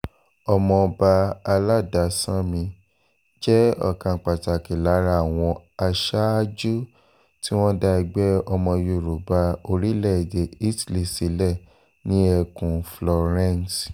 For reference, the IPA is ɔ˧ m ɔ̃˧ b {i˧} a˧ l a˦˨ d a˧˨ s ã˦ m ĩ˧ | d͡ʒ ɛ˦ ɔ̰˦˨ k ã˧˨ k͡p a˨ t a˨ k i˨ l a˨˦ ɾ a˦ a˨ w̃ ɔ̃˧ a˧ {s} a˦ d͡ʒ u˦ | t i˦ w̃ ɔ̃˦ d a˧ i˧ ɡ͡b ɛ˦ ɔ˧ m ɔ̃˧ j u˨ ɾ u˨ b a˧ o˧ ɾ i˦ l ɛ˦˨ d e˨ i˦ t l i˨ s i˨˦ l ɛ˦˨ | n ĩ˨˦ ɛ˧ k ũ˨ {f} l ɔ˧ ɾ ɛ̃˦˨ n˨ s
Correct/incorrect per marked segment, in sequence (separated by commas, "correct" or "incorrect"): incorrect, incorrect, correct